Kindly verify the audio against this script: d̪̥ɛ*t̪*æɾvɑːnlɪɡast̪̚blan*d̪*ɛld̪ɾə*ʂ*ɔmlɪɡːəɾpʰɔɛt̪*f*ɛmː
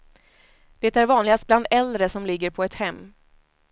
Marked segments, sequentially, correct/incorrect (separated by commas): correct, correct, incorrect, incorrect